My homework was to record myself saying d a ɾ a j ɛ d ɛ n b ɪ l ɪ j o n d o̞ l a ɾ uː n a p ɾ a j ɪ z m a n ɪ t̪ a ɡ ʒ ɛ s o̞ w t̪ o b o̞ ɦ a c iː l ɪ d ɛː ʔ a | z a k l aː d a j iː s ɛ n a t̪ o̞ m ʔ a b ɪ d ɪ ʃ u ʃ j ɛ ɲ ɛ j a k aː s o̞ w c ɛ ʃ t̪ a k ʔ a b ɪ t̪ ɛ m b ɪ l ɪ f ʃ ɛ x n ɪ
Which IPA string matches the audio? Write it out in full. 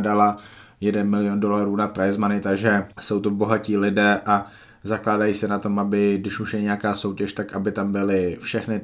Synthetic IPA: d a l a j ɛ d ɛ n m ɪ l ɪ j o n d o̞ l a ɾ uː n a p ɾ a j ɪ z m a n ɪ t̪ a ɡ ʒ ɛ s o̞ w t̪ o b o̞ ɦ a c iː l ɪ d ɛː ʔ a | z a k l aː d a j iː s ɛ n a t̪ o̞ m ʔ a b ɪ d ɪ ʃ u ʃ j ɛ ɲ ɛ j a k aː s o̞ w c ɛ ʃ t̪ a k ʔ a b ɪ t̪ a m b ɪ l ɪ f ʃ ɛ x n ɪ